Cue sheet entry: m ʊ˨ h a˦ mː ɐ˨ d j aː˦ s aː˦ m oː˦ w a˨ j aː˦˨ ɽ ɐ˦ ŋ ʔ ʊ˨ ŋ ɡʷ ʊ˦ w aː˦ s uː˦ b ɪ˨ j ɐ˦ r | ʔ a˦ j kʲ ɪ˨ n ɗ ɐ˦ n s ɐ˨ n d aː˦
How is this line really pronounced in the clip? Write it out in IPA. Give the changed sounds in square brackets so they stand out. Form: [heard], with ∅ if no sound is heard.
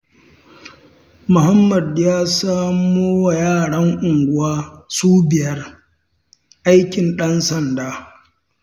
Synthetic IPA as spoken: m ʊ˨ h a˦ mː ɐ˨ d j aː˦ s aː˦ m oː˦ w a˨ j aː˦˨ ɽ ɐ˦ ŋ ʔ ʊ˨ ŋ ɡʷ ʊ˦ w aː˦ s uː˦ b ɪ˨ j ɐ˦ r | ʔ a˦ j kʲ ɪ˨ n ɗ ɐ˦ n s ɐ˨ n d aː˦